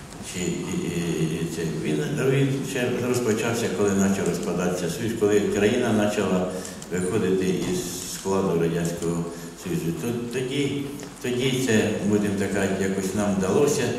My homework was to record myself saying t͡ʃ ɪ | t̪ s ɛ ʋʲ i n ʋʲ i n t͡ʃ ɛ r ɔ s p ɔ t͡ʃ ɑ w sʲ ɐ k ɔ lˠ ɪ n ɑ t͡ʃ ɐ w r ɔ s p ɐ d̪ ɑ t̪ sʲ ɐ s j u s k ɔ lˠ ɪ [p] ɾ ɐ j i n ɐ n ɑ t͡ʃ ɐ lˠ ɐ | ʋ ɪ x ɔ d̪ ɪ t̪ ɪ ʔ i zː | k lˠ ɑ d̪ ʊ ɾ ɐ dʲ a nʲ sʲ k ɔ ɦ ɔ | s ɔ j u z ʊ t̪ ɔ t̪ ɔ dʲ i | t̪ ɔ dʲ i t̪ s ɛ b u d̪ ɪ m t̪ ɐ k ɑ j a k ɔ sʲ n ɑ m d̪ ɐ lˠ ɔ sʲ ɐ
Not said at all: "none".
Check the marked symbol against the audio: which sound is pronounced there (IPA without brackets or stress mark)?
k